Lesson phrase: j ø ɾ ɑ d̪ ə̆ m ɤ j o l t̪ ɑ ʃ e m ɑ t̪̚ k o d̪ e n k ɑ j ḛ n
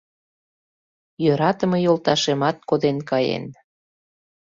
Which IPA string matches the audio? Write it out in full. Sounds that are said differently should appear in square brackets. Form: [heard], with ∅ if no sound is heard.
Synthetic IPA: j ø ɾ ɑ [t̪] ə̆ m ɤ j o l t̪ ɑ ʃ e m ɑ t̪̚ k o d̪ e n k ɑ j ḛ n